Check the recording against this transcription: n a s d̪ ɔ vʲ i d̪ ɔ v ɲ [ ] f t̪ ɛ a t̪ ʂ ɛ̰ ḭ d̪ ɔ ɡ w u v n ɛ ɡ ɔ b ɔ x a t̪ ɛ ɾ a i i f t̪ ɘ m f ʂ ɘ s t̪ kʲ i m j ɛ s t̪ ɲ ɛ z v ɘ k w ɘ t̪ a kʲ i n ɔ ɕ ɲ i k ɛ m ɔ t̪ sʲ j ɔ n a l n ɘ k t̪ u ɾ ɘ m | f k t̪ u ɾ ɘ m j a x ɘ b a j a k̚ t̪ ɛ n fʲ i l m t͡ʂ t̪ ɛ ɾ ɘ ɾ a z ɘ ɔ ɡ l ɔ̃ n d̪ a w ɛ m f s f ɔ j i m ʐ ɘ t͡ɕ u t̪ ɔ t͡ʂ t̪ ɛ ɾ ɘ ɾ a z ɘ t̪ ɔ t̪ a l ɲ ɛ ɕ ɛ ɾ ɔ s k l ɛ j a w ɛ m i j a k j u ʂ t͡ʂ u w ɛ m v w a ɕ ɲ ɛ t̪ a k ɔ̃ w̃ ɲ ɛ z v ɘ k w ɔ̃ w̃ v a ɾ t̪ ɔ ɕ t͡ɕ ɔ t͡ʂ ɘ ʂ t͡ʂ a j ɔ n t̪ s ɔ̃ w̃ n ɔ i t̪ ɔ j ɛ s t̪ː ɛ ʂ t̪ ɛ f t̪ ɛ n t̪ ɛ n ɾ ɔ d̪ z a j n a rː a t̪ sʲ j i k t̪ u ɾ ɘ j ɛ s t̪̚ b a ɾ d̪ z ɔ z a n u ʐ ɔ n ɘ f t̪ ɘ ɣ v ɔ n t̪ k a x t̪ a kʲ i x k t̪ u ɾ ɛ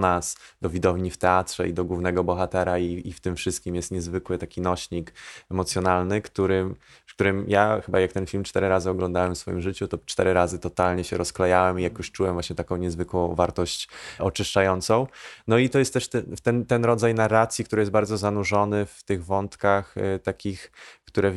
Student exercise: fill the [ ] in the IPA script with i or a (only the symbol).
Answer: i